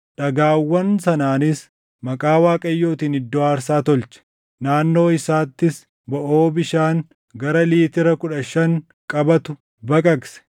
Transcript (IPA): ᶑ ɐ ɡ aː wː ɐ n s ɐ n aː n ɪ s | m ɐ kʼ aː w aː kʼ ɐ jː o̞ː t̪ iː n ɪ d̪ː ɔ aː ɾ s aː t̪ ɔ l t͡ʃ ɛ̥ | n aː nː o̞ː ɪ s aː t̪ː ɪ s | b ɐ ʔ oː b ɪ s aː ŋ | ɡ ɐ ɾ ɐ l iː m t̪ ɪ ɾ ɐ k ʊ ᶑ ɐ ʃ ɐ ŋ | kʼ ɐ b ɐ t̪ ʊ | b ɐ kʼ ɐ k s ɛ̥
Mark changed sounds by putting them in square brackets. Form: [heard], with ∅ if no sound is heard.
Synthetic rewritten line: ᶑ ɐ ɡ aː wː ɐ n s ɐ n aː n ɪ s | m ɐ kʼ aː w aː kʼ ɐ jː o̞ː t̪ iː n ɪ d̪ː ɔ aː ɾ s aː t̪ ɔ l t͡ʃ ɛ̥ | n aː nː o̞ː ɪ s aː t̪ː ɪ s | b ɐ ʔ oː b ɪ [ʃ] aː ŋ | ɡ ɐ ɾ ɐ l iː [∅] t̪ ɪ ɾ ɐ k ʊ ᶑ ɐ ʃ ɐ ŋ | kʼ ɐ b ɐ t̪ ʊ | b ɐ kʼ ɐ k s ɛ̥